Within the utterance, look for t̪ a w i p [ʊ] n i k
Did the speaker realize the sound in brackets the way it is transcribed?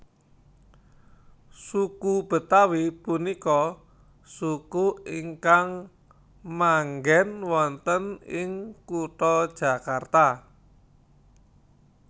no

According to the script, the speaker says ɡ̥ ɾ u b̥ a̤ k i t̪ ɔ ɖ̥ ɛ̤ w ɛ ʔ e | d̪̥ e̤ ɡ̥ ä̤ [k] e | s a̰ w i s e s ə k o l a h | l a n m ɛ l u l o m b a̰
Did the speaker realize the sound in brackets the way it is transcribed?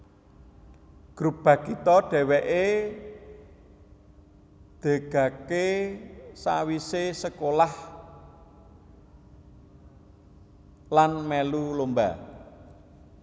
yes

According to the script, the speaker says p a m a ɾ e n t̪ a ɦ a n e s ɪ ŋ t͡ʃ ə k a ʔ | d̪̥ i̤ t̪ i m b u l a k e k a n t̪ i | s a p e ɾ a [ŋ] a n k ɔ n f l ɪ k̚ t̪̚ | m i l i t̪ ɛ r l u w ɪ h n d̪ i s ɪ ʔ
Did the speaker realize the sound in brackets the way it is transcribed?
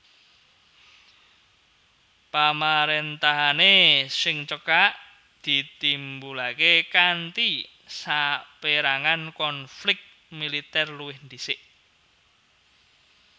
yes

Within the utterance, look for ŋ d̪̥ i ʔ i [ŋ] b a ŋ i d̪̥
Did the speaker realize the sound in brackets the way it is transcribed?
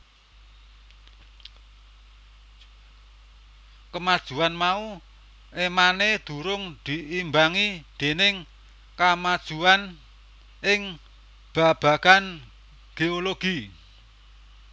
no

